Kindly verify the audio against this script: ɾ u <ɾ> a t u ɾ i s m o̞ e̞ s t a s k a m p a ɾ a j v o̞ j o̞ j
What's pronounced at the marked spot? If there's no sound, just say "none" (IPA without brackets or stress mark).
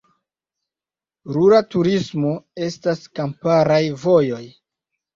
ɾ